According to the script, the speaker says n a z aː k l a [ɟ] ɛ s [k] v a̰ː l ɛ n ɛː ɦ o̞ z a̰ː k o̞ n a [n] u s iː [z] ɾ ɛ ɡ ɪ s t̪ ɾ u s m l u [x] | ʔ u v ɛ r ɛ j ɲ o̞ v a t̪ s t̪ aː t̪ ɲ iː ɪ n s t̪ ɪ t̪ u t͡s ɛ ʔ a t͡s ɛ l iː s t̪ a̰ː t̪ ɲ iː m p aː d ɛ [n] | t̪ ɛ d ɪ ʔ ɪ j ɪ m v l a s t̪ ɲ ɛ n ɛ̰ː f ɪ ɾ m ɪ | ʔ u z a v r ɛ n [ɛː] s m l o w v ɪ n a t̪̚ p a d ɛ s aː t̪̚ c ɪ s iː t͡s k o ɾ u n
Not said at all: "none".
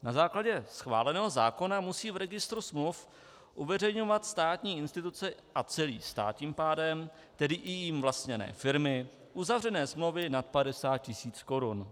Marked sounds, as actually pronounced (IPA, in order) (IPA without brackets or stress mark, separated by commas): ɟ, x, m, v, f, m, ɛː